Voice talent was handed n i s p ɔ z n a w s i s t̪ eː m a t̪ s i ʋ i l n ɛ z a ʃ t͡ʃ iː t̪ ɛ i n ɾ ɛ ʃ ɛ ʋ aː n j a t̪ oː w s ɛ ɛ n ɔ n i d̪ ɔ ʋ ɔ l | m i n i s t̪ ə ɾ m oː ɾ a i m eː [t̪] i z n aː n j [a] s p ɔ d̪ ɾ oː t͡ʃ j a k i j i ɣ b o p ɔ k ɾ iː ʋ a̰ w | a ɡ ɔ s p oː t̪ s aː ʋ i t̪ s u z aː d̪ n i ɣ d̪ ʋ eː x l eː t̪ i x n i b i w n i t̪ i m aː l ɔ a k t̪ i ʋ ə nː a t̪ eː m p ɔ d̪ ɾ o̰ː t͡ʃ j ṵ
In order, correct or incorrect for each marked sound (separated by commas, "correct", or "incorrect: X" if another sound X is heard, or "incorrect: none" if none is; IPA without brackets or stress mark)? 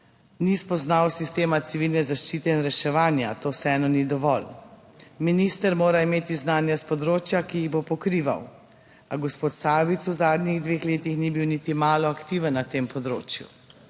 correct, correct